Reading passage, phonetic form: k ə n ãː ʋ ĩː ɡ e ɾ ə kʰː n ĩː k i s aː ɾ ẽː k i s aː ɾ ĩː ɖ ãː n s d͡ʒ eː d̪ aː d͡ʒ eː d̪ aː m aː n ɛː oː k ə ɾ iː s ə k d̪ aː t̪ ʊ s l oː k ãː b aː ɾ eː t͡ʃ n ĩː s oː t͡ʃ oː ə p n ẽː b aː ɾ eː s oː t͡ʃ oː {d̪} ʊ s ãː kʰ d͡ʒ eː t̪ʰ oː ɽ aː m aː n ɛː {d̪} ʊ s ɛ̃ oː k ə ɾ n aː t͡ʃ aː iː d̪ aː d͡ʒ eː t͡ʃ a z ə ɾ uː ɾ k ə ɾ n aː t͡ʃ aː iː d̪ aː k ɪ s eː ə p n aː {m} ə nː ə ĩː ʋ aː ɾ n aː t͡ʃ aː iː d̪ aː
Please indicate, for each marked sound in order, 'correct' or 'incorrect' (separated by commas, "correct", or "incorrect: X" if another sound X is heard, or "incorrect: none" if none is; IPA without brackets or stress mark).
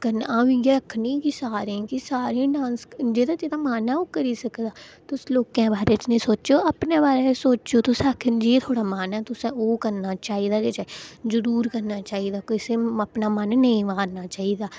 incorrect: t̪, incorrect: t̪, correct